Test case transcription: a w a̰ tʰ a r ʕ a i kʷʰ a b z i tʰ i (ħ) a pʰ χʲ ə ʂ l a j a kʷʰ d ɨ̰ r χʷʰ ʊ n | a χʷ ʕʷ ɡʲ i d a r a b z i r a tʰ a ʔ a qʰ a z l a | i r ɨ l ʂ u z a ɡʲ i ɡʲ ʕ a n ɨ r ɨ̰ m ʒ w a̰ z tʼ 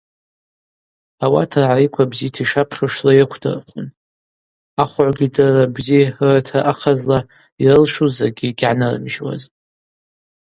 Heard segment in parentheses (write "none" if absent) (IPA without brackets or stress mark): ʂ